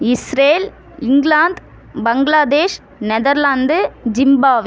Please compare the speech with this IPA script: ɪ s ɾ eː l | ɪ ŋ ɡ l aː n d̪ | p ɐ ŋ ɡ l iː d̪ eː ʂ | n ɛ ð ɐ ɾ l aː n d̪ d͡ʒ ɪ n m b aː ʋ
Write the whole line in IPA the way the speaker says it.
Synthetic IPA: ɪ s ɾ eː l | ɪ ŋ ɡ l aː n d̪ | b ɐ ŋ ɡ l aː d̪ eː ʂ | n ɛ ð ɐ ɾ l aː n d̪ d͡ʒ ɪ m b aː ʋ

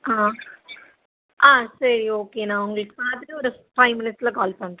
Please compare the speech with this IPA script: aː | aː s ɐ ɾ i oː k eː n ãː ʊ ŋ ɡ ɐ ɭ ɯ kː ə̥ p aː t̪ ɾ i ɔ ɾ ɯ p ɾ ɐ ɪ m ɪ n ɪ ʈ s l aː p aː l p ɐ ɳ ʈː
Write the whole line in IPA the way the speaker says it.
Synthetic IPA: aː | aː s ɐ ɾ i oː k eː n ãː ʊ ŋ ɡ ɐ ɭ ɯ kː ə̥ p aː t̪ ɾ i ɔ ɾ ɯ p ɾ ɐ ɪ m ɪ n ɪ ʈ s l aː k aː l p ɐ ɳ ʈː

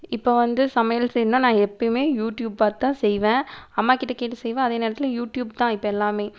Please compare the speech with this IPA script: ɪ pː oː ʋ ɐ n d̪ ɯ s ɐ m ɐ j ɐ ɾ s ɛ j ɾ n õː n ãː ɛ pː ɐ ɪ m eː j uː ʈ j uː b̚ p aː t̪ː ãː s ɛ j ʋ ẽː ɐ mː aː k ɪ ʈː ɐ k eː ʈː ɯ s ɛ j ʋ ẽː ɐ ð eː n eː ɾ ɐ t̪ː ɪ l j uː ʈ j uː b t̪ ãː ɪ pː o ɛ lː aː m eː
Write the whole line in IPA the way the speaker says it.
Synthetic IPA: ɪ pː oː ʋ ɐ n d̪ ɯ s ɐ m ɐ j ɐ l s ɛ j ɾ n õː n ãː ɛ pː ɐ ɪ m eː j uː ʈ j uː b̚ p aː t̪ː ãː s ɛ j ʋ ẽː ɐ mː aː k ɪ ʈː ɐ k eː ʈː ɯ s ɛ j ʋ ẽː ɐ ð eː n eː ɾ ɐ t̪ː ɪ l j uː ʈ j uː b t̪ ãː ɪ pː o ɛ lː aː m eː

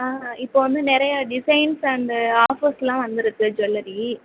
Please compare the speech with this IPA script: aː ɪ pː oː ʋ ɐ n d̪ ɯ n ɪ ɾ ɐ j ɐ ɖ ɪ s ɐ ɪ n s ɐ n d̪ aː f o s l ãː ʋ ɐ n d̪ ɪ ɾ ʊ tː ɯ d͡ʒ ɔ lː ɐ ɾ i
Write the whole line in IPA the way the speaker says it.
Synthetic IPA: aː ɪ pː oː ʋ ɐ n d̪ ɯ n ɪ ɾ ɐ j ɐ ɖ ɪ s ɐ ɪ n s ɐ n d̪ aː f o s l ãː ʋ ɐ n d̪ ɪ ɾ ɯ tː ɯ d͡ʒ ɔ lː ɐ ɾ i

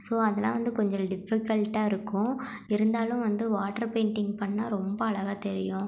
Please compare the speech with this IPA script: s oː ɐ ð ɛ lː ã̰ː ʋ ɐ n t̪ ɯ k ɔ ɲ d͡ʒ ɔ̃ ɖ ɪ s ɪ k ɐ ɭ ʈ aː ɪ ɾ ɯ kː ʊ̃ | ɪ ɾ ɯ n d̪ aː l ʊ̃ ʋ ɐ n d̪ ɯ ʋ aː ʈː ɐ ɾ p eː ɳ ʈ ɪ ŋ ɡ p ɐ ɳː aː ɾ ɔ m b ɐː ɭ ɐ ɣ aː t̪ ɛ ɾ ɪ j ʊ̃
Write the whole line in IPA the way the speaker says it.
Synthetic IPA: s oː ɐ ð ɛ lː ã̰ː ʋ ɐ n d̪ ɯ k ɔ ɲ d͡ʒ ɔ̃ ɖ ɪ f ɪ k ɐ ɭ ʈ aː ɪ ɾ ɯ kː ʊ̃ | ɪ ɾ ɯ n d̪ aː l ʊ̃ ʋ ɐ n d̪ ɯ ʋ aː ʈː ɐ ɾ p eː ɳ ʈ ɪ ŋ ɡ p ɐ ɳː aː ɾ ɔ m b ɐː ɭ ɐ ɣ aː t̪ ɛ ɾ ɪ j ʊ̃

